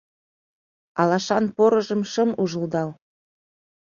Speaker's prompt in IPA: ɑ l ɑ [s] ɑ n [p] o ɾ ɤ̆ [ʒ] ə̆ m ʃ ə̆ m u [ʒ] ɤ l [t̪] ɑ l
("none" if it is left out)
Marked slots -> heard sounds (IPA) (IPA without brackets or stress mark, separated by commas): ʃ, p, ʒ, ʒ, d̪